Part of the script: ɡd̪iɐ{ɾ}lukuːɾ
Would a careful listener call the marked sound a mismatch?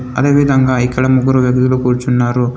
yes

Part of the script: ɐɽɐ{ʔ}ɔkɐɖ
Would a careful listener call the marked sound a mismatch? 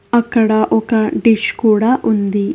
no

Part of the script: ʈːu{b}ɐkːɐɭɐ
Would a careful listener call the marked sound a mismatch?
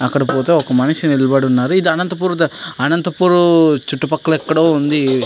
yes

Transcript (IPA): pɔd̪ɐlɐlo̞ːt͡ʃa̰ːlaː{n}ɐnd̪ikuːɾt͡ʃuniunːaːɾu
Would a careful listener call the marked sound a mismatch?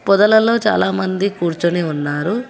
yes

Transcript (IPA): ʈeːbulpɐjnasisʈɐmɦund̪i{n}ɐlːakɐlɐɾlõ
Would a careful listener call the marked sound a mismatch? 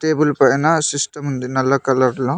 no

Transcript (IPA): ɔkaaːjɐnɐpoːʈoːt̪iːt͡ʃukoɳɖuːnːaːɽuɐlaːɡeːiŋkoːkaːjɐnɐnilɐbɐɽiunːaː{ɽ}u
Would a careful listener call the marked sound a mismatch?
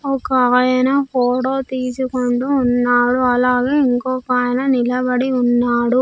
no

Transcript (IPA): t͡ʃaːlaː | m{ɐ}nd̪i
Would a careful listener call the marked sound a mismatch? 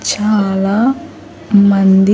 no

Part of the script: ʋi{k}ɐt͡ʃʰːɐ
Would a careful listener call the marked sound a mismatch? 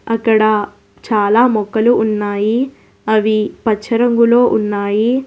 yes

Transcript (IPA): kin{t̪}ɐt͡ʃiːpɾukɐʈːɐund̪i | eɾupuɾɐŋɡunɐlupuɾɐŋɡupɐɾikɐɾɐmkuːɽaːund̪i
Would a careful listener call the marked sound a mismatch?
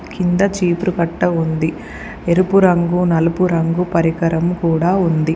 yes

